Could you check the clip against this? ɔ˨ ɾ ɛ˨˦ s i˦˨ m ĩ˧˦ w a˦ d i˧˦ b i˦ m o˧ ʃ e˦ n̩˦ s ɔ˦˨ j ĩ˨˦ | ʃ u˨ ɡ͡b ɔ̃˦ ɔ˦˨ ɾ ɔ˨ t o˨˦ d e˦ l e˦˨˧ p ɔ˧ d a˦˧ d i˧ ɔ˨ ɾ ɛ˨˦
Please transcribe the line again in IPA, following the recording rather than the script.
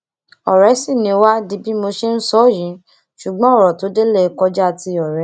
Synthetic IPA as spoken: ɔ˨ ɾ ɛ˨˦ s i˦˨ n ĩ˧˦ w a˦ d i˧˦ b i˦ m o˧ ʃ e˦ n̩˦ s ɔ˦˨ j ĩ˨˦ | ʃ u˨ ɡ͡b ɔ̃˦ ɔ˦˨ ɾ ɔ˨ t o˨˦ d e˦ l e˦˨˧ k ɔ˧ d͡ʒ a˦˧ t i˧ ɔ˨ ɾ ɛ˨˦